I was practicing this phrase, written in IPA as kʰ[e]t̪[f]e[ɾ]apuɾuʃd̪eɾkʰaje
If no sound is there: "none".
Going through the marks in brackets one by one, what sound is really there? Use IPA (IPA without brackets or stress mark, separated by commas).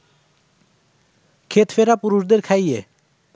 e, f, ɾ